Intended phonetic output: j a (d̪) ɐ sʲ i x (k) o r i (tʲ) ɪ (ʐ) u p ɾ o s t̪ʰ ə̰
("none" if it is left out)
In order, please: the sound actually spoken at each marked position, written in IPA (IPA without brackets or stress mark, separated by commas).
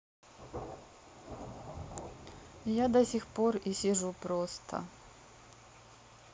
d̪, p, sʲ, ʐ